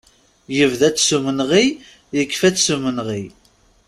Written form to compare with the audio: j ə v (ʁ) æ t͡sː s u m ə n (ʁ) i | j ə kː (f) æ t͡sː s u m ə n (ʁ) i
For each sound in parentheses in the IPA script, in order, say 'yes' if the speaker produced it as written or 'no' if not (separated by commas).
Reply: no, yes, yes, yes